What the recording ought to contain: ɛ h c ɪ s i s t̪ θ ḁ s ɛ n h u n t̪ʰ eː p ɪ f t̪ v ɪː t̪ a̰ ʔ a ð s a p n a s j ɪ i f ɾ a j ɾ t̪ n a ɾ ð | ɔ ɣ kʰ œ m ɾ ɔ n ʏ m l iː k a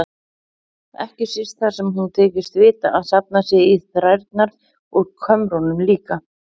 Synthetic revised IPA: ɛ h c ɪ s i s t̪ θ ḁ s ɛ m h u n t̪ʰ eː c ɪ s t̪ v ɪː t̪ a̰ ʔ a ð s a p n a s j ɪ i θ ɾ a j ɾ t̪ n a ɾ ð | ɔ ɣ kʰ œ m ɾ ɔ n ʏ m l iː k a